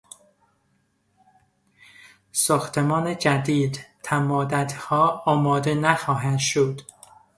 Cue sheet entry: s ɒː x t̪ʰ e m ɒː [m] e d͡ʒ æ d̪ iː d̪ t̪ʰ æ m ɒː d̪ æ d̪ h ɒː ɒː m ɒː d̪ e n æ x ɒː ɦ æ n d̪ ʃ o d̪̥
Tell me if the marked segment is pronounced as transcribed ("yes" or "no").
no